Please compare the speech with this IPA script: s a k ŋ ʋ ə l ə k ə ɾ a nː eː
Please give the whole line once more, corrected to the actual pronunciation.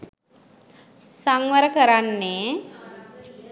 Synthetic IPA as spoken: s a ŋ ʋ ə ɾ ə k ə ɾ a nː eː